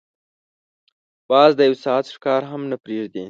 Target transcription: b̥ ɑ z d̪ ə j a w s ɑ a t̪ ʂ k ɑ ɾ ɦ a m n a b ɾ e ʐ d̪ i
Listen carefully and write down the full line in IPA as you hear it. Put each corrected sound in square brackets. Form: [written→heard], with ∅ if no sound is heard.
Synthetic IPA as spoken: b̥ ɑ z d̪ ə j a w s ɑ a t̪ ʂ k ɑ ɾ ɦ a m n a [b→p] ɾ e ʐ d̪ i